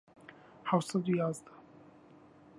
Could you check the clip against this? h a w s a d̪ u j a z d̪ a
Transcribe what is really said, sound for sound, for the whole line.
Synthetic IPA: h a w s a d̪ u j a z d̪ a